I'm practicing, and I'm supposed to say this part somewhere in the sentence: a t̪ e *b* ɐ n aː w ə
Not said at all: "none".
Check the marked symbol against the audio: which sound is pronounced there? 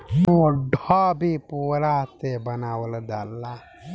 b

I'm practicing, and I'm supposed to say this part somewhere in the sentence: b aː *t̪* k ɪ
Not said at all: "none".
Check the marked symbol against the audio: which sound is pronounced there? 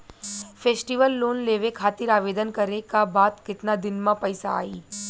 t̪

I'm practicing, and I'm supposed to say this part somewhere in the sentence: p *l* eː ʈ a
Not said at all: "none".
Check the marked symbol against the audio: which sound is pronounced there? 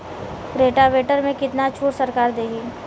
ɾ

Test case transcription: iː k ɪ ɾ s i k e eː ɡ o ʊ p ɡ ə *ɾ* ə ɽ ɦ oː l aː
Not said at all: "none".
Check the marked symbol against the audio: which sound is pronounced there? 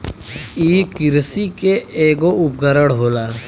ɾ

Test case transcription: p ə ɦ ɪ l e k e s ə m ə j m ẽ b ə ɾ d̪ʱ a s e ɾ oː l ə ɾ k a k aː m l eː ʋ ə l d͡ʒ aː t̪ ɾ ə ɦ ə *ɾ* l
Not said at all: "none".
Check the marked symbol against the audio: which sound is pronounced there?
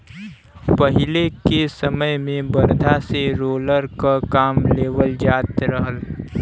none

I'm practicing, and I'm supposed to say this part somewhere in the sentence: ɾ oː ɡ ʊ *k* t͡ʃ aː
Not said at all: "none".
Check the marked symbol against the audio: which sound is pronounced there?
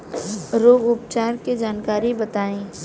p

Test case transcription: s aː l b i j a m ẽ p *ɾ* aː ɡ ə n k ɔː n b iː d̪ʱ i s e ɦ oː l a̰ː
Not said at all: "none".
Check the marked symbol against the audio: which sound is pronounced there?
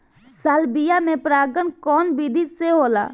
ɾ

